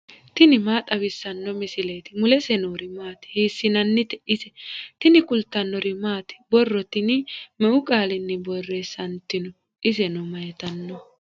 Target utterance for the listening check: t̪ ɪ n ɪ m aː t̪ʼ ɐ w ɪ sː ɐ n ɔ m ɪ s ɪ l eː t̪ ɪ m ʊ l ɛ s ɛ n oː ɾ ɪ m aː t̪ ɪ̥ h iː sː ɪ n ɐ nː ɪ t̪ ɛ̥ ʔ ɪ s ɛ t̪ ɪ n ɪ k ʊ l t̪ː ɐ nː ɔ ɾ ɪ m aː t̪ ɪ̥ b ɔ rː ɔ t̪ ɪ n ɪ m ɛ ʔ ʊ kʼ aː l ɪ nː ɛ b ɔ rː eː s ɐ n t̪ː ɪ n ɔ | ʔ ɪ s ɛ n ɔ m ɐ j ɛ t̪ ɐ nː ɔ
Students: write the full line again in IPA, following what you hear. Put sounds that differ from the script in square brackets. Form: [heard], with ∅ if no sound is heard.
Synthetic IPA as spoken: t̪ ɪ n ɪ m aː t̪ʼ ɐ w ɪ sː ɐ [nː] ɔ m ɪ s ɪ l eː t̪ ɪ m ʊ l ɛ s ɛ n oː ɾ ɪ m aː t̪ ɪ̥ h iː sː ɪ n ɐ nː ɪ t̪ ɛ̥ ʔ ɪ s ɛ t̪ ɪ n ɪ k ʊ l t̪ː ɐ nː ɔ ɾ ɪ m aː t̪ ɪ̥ b ɔ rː ɔ t̪ ɪ n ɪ m ɛ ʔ ʊ kʼ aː l ɪ nː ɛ b ɔ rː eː s ɐ n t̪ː ɪ n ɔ | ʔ ɪ s ɛ n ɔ m ɐ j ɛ t̪ ɐ nː ɔ